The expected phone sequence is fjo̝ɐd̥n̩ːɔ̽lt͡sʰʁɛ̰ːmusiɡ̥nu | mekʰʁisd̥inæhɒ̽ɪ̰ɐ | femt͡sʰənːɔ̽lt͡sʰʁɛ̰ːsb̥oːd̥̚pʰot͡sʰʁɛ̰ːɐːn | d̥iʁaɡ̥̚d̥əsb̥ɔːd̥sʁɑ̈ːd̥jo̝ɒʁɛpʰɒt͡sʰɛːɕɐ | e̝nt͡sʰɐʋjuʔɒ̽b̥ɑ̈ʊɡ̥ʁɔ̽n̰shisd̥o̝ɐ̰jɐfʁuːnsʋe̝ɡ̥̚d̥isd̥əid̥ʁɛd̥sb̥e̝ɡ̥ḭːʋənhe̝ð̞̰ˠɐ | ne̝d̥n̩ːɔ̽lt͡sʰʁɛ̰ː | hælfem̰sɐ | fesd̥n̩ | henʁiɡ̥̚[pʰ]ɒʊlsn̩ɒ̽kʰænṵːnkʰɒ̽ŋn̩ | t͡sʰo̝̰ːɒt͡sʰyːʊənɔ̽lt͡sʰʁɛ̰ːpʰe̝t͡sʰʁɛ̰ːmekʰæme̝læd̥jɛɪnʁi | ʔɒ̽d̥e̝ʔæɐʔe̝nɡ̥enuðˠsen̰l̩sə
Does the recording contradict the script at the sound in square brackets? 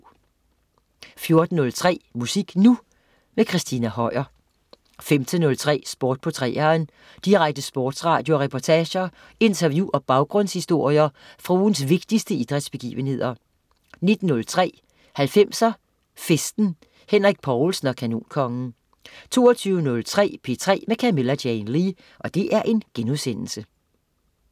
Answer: no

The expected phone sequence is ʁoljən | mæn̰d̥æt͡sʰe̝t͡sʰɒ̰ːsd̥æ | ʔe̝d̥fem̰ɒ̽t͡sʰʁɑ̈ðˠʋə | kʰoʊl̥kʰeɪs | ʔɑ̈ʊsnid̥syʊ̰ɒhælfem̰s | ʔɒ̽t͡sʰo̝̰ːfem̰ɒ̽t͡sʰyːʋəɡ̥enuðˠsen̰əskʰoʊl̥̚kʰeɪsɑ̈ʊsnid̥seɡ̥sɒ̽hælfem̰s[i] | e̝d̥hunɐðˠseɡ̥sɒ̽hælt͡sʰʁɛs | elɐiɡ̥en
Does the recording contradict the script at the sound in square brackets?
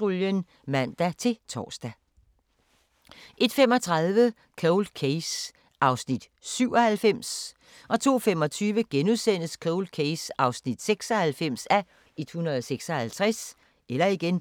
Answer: yes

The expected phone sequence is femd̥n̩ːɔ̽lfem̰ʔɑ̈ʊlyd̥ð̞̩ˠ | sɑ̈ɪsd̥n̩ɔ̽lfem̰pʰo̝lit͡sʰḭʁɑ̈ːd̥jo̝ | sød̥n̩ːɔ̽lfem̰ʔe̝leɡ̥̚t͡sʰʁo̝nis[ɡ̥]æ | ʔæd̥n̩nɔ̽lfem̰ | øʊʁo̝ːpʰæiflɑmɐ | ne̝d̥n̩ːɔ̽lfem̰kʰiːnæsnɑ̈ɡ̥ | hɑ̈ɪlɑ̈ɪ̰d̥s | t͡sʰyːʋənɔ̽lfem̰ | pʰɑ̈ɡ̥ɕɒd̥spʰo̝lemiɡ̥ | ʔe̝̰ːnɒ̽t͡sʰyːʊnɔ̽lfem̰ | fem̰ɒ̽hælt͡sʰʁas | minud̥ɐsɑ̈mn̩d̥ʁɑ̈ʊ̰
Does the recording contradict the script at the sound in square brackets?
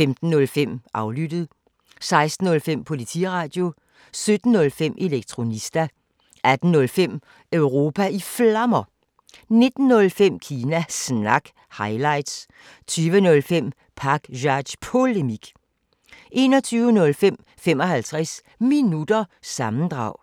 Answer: yes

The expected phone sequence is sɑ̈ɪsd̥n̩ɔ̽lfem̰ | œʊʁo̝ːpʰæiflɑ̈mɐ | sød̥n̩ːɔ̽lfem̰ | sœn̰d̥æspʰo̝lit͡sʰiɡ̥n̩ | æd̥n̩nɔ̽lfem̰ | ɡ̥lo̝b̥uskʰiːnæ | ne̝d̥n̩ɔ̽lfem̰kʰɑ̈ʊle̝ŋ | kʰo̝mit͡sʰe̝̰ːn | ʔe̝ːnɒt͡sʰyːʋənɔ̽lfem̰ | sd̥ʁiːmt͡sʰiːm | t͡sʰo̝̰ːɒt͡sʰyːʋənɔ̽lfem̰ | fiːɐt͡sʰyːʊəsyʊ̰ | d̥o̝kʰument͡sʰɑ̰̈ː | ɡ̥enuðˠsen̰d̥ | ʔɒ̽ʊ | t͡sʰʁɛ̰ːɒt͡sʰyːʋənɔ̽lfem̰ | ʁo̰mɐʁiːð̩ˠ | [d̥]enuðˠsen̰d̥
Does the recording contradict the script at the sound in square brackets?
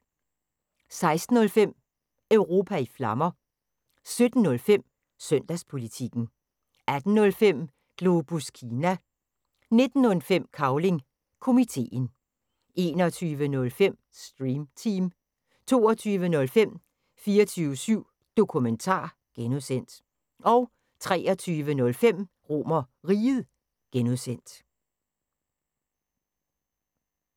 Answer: yes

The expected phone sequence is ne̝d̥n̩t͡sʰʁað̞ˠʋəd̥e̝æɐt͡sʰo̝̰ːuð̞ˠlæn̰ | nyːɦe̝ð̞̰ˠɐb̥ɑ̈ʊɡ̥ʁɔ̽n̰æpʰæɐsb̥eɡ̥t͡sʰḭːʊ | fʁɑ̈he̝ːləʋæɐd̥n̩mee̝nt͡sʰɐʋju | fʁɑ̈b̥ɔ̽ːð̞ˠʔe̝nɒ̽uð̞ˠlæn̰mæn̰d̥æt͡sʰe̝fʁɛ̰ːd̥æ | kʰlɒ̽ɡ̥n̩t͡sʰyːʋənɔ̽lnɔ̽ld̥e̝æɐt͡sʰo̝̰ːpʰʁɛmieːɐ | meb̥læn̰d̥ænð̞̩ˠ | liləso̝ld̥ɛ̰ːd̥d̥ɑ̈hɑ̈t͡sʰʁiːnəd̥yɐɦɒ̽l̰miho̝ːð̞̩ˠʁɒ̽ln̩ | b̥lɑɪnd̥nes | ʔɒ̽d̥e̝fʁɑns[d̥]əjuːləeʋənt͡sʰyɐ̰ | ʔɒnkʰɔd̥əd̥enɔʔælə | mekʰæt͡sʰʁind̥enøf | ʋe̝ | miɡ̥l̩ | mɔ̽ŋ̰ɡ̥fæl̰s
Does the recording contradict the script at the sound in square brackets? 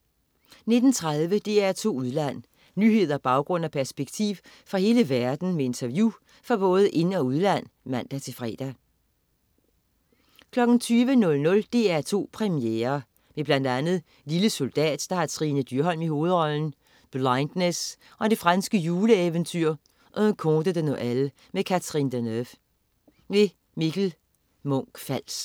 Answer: yes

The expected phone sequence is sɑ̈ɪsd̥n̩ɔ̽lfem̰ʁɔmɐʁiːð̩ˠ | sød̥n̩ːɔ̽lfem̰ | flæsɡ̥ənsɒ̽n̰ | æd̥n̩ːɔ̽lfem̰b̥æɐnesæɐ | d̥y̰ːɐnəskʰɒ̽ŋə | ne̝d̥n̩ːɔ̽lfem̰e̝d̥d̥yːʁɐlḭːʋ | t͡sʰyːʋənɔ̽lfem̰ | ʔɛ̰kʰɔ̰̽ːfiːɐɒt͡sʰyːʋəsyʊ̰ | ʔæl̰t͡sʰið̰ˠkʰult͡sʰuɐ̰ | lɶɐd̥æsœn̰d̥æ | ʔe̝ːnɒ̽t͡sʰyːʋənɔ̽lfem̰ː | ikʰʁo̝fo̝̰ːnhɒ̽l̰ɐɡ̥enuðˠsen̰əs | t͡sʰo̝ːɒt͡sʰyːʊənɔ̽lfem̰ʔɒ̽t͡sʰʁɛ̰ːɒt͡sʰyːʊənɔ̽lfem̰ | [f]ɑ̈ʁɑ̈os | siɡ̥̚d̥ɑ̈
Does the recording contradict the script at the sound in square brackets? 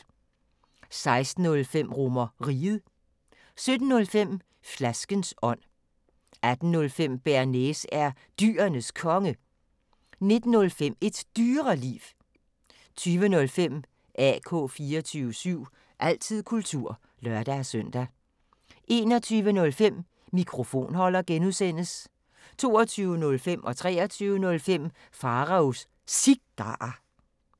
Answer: no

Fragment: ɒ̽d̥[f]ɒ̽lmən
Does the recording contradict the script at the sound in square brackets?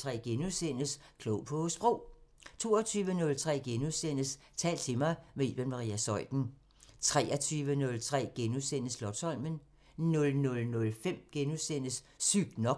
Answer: yes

